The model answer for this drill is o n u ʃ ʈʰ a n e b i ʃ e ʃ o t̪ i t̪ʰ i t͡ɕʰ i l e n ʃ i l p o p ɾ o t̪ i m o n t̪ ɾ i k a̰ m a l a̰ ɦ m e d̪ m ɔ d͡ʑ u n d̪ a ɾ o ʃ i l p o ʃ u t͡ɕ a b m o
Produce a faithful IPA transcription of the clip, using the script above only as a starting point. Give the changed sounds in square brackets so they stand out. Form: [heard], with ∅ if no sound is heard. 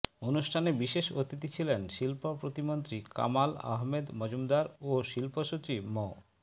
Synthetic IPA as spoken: o n u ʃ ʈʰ a n e b i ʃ e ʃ o t̪ i [t̪] i t͡ɕʰ i l e n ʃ i l p o p ɾ o t̪ i m o n t̪ ɾ i k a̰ m a l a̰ ɦ m e d̪ m ɔ d͡ʑ u [m] d̪ a ɾ o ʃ i l p o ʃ u t͡ɕ [i] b m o